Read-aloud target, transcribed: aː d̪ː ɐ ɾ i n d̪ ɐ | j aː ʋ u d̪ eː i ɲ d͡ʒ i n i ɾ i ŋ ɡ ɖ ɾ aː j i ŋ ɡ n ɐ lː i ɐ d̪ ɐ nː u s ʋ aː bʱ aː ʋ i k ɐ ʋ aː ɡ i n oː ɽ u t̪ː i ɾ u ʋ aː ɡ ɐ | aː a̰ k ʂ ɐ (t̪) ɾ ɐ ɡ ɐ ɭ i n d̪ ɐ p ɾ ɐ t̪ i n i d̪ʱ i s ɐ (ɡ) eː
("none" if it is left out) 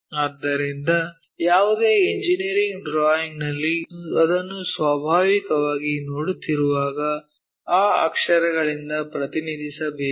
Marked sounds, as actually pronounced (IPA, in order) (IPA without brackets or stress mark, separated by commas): none, b